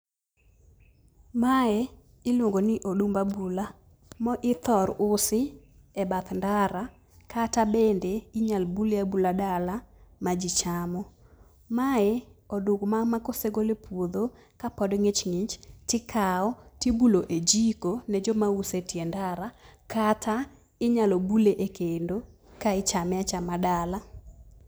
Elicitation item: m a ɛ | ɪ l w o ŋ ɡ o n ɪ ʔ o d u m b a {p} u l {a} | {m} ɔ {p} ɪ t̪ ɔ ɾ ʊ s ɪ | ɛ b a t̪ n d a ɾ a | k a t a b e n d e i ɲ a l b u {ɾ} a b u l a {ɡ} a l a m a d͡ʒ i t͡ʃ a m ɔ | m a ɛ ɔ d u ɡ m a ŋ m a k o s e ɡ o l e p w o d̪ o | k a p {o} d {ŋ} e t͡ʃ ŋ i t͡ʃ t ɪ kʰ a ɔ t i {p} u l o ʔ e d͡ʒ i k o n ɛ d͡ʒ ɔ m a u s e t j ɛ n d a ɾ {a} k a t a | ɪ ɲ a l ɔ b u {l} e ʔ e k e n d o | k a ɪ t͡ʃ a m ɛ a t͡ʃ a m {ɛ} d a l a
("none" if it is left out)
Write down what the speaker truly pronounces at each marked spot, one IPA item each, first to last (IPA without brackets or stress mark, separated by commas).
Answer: b, a, m, ʔ, l, d, ɔ, ŋ, b, a, l, a